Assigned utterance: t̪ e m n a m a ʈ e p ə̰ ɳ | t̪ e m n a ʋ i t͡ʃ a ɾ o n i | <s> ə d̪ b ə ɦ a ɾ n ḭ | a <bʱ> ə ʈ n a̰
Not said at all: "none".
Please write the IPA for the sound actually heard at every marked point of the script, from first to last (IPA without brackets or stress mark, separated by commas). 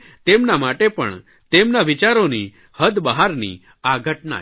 h, ɡʱ